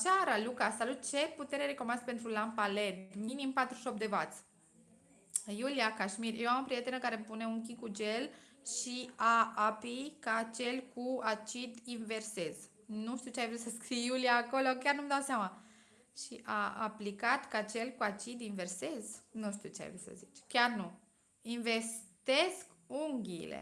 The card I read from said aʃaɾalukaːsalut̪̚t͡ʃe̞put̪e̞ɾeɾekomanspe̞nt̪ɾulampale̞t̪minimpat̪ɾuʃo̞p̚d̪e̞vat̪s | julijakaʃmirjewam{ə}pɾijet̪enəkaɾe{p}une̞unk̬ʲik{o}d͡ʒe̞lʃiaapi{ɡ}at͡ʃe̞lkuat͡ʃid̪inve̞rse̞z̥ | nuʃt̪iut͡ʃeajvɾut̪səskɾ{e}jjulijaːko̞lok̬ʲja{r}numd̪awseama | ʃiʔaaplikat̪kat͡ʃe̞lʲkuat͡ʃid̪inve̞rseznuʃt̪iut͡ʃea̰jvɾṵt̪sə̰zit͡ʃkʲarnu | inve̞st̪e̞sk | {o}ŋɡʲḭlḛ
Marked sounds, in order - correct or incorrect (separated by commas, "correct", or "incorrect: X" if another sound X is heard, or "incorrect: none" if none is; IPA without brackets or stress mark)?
correct, correct, incorrect: u, incorrect: k, incorrect: i, correct, incorrect: u